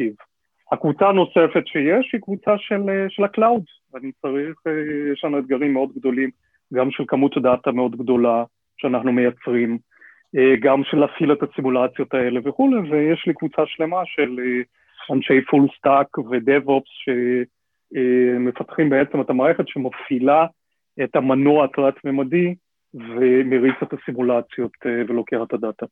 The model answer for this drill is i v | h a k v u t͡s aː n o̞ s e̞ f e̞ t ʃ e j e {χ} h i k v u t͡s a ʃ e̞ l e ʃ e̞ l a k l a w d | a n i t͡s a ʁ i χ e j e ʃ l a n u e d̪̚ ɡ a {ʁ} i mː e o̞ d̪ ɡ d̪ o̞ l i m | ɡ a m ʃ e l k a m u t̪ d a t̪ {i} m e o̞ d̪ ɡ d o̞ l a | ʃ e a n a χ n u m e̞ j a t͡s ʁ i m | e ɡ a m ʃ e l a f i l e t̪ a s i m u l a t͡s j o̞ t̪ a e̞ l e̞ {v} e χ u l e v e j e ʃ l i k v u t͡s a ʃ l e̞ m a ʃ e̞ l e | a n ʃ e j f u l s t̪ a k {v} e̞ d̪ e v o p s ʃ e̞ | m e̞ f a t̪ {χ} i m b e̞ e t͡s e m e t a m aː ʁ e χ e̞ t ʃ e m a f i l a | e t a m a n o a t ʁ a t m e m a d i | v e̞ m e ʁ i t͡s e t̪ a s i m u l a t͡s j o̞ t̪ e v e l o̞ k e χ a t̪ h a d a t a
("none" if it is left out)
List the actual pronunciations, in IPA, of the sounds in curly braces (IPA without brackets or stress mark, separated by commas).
ʃ, ʁ, a, v, v, χ